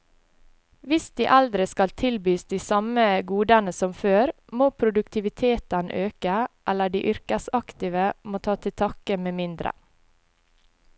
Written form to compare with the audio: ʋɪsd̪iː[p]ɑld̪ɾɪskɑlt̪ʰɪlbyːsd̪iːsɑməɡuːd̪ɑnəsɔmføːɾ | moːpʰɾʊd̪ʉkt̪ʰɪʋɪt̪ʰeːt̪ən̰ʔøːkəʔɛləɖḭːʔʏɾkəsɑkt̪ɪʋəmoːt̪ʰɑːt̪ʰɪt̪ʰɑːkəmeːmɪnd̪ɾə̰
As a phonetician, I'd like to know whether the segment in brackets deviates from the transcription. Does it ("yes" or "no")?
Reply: yes